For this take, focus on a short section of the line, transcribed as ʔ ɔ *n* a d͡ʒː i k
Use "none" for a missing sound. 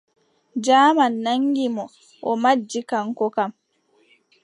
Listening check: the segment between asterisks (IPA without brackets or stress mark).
m